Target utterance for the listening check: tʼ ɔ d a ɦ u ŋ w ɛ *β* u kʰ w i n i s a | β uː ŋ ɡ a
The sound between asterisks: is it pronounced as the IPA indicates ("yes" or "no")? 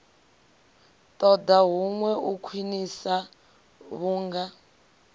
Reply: no